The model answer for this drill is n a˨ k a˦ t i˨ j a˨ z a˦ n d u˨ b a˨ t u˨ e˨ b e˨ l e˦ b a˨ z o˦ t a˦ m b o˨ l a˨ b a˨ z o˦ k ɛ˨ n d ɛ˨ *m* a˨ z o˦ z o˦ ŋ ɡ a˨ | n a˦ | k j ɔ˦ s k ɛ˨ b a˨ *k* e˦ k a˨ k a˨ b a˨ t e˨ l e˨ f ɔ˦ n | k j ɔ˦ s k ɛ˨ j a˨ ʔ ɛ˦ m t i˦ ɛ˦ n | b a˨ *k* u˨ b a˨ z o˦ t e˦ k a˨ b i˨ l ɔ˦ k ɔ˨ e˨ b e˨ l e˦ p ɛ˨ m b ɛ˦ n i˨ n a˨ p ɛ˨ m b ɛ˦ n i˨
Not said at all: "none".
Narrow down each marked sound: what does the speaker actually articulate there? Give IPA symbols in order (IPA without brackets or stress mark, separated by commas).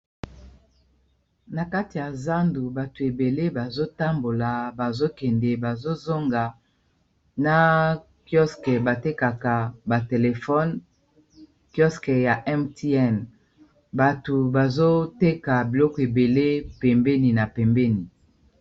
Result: b, t, t